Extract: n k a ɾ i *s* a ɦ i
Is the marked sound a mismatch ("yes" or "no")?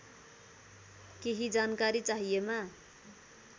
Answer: yes